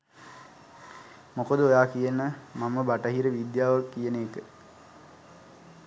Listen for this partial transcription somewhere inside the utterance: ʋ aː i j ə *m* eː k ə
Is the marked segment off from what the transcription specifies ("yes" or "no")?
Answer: yes